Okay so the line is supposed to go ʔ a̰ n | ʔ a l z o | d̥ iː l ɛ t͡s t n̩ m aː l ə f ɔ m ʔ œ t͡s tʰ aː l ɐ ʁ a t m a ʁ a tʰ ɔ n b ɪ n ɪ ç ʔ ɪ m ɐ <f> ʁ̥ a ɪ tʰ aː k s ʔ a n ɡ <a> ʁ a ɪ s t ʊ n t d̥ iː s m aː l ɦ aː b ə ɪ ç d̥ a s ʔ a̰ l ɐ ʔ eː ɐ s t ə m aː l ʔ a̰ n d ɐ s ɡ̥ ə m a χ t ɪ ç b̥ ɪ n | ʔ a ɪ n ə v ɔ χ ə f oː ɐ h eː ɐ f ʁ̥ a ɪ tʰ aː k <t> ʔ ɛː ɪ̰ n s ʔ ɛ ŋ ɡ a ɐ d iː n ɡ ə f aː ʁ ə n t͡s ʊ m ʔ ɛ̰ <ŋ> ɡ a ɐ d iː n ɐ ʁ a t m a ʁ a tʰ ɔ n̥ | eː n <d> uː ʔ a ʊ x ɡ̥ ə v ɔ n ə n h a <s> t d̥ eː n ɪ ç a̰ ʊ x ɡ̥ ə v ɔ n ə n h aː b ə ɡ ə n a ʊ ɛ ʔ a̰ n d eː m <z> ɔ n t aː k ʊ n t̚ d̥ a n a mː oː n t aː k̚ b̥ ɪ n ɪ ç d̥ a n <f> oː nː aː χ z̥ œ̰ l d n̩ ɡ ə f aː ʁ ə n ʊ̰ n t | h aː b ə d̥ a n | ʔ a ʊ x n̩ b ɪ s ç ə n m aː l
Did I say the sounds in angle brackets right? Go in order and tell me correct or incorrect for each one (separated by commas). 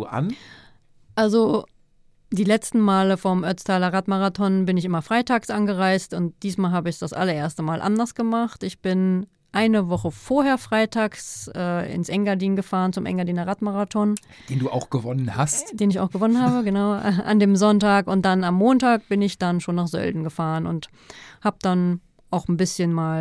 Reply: correct, incorrect, incorrect, correct, correct, correct, correct, incorrect